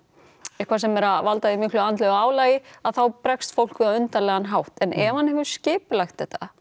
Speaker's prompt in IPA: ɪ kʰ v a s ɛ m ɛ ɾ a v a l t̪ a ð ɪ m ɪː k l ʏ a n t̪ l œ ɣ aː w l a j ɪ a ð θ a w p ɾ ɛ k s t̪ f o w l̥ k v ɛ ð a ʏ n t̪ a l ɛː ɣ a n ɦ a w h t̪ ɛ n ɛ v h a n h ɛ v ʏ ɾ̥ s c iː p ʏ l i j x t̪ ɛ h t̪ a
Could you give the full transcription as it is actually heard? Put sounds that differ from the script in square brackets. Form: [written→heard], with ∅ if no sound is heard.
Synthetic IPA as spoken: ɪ kʰ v a s ɛ m ɛ ɾ a v a l t̪ a ð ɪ m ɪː k l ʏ a n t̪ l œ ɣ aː w l a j ɪ a ð θ a w p ɾ ɛ k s t̪ f o w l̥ k v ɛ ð a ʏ n t̪ a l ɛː ɣ a n ɦ a w h t̪ ɛ n ɛ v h a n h ɛ v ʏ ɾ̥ s c [iː→ɪː] p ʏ l [i→a] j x t̪ ɛ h t̪ a